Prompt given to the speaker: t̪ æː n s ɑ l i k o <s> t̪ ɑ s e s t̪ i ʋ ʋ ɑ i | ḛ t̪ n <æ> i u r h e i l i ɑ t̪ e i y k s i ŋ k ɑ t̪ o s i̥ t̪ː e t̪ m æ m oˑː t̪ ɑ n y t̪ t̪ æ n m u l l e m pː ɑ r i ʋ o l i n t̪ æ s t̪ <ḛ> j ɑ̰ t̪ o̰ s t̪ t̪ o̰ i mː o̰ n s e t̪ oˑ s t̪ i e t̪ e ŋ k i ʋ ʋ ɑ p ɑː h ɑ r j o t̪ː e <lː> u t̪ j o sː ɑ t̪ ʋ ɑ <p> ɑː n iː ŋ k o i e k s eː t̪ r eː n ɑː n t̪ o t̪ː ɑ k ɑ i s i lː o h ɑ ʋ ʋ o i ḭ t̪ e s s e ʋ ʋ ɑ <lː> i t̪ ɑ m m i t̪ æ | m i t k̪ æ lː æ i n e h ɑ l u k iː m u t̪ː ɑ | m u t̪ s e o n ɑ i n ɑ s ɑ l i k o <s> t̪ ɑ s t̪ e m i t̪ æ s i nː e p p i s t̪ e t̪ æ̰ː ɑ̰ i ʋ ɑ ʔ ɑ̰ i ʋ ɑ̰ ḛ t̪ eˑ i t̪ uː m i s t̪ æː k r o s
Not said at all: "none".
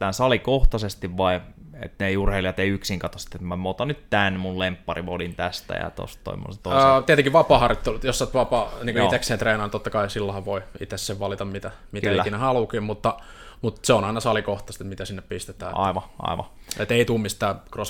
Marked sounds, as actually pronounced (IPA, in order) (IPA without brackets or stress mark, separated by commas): h, e, æ̰, l, p, l, h